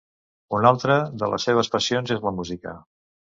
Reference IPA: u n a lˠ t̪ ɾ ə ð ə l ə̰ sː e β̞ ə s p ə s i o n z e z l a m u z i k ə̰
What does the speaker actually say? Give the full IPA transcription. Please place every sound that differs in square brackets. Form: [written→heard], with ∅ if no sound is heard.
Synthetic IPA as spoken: u n a lˠ t̪ ɾ ə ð ə l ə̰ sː e β̞ ə s p ə s i o n z e z l [a→ə] m u z i k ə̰

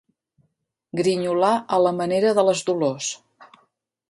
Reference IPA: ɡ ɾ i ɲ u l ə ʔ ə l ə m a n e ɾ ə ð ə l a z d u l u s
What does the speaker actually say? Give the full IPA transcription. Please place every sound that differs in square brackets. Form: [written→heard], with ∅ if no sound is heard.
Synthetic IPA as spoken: ɡ ɾ i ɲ u l [ə→a] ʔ ə l ə m [a→ə] n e ɾ ə ð ə l [a→ə] z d u l [u→o] s

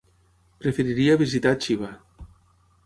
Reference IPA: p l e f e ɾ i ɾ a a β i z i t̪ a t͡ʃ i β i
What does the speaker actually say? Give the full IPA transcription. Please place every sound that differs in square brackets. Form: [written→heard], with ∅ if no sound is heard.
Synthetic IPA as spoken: p [l→ɾ] e f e ɾ i ɾ [a→i] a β i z i t̪ a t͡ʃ i β [i→a]

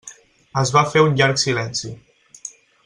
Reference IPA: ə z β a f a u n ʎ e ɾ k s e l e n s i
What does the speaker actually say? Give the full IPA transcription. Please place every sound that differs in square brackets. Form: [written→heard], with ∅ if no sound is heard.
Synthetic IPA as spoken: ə z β a f [a→e] u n ʎ [e→a] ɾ k s [e→i] l [e→ɛ] n s i

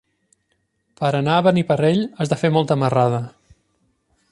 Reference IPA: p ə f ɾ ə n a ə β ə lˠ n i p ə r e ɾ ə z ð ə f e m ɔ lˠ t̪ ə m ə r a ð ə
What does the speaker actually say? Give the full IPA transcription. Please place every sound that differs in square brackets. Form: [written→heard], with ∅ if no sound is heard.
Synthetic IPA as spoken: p ə [f→∅] ɾ ə n a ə β ə [lˠ→∅] n i p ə r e [ɾ→ʎ] ə z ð ə f e m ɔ lˠ t̪ ə m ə r a ð ə

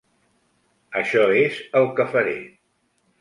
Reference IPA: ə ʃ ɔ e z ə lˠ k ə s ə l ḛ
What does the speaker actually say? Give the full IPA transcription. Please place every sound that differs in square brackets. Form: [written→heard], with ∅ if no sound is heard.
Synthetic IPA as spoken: ə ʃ ɔ e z ə lˠ k ə [s→f] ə [l→ɾ] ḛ

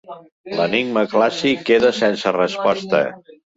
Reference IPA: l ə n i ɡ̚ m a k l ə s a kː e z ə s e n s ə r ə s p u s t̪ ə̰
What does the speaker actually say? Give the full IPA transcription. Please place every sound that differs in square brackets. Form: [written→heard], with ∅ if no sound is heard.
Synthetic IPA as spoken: l ə n i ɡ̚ m [a→ə] k l [ə→a] s [a→i] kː e [z→ð] ə s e n s ə r ə s p [u→ɔ] s t̪ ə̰

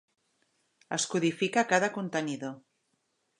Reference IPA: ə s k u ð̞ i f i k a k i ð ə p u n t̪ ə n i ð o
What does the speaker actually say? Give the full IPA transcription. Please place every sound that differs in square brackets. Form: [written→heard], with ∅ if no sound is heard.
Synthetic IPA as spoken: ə s k u ð̞ i f i k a k [i→a] ð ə [p→k] u n t̪ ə n i ð o

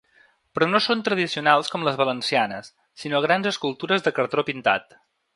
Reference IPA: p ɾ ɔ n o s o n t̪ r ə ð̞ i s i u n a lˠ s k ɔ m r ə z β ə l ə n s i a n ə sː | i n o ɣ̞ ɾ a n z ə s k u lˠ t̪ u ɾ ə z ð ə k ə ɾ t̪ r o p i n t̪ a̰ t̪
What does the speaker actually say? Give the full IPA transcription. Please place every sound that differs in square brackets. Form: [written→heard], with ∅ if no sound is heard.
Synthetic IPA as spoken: p ɾ ɔ n o s o n t̪ [r→ɾ] ə ð̞ i s i u n a lˠ s k ɔ m [r→l] ə z β ə l ə n s i a n ə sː | i n o ɣ̞ ɾ a n z ə s k u lˠ t̪ u ɾ ə z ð ə k ə ɾ t̪ [r→ɾ] o p i n t̪ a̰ t̪

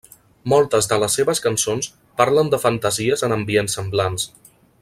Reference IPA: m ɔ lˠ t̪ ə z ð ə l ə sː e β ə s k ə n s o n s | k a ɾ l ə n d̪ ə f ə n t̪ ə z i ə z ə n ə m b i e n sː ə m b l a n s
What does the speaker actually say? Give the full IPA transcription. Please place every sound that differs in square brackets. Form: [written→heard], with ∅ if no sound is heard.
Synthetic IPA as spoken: m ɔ lˠ t̪ ə z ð ə l ə sː e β ə s k ə n s o n s | [k→p] a ɾ l ə n d̪ ə f ə n t̪ ə z i ə z ə n ə m b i e n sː ə m b l a n s

